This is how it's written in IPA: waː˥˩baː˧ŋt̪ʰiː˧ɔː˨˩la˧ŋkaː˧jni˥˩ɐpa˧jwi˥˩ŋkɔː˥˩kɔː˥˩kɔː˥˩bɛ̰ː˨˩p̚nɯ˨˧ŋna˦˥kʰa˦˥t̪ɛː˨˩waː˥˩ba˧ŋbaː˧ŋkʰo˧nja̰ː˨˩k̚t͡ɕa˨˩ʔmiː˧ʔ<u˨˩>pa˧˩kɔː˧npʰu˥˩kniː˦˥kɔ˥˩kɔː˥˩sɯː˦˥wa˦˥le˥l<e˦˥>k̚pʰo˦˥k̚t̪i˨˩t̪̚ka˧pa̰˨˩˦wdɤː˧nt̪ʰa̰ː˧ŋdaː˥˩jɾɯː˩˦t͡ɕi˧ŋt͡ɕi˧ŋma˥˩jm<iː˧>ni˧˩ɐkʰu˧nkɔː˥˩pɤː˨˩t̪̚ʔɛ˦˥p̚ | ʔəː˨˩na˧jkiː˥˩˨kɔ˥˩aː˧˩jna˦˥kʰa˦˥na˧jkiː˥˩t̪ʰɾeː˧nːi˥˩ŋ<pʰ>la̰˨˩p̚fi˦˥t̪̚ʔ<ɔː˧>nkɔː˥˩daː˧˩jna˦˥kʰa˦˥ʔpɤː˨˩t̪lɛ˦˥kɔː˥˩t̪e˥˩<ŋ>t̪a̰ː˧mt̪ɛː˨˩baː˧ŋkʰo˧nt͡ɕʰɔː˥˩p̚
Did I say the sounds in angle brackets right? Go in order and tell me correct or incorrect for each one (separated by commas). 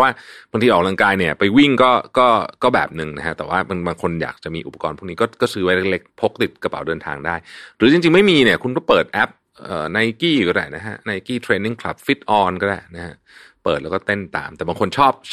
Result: correct, correct, correct, incorrect, correct, incorrect